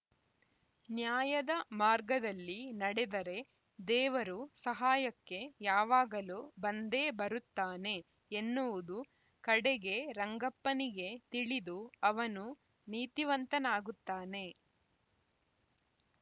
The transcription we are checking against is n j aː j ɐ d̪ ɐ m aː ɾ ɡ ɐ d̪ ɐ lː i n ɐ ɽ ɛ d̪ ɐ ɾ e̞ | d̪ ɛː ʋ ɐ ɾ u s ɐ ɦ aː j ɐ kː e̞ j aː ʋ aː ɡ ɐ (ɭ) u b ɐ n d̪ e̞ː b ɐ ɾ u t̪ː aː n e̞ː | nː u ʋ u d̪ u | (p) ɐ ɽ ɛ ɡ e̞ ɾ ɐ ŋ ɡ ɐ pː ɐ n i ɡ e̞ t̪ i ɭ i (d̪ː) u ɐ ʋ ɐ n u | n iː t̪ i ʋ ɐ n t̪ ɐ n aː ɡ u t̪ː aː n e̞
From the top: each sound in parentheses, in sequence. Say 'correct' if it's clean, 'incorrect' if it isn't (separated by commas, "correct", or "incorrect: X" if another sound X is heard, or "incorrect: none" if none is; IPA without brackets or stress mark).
incorrect: l, incorrect: k, incorrect: d̪